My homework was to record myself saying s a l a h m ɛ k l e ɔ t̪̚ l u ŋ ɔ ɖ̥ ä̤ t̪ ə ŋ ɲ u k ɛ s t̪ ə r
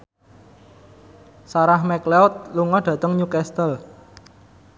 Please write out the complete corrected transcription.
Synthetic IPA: s a ɾ a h m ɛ k l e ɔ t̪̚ l u ŋ ɔ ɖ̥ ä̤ t̪ ə ŋ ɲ u k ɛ s t̪ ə l